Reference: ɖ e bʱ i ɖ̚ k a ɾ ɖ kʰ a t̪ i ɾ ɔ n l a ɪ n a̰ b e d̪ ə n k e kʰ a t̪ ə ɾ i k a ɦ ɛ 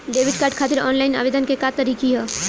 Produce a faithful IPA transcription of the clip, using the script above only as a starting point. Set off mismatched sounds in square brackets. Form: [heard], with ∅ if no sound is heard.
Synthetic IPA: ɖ e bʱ i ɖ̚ k a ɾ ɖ kʰ a t̪ i ɾ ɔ n l a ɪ n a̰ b e d̪ ə n k e [k] a t̪ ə ɾ i k [i] ɦ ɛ